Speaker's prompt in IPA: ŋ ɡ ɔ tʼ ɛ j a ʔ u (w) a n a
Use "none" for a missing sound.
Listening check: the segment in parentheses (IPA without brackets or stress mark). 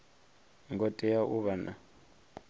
β